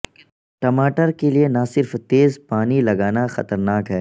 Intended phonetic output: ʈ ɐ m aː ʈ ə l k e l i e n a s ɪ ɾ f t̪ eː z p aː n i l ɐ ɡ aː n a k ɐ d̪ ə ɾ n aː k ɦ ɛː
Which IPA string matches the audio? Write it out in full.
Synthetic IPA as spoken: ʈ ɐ m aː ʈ ə ɾ k e l i e n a s ɪ ɾ f t̪ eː z p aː n i l ɐ ɡ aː n a x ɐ t̪ ə ɾ n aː k ɦ ɛː